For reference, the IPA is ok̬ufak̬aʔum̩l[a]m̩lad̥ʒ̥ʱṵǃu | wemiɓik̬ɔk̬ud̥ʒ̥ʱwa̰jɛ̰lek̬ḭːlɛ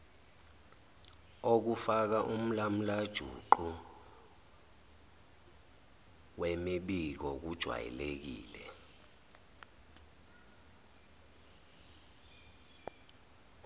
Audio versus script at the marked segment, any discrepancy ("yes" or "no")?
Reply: no